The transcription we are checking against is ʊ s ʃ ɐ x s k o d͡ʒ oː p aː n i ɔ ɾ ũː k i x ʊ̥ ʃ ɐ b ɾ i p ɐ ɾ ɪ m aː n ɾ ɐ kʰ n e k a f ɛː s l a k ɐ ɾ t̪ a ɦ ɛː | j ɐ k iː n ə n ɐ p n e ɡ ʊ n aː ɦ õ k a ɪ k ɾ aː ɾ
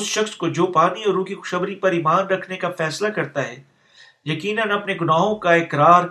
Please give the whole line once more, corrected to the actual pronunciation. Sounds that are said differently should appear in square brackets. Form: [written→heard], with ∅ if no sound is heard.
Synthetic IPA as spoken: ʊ s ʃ ɐ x s k o d͡ʒ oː p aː n i ɔ ɾ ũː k i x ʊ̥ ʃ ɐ b ɾ i p ɐ ɾ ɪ m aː n ɾ ɐ kʰ n e k a f ɛː s l a k ɐ ɾ t̪ a ɦ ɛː | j ɐ k iː n ə n ɐ p n e ɡ ʊ n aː ɦ õ k a ɪ k ɾ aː ɾ